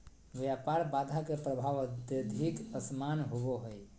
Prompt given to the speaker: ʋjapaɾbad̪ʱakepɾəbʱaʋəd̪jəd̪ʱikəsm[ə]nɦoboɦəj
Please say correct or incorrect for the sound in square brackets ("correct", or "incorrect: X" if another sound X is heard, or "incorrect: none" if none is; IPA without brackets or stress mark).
incorrect: a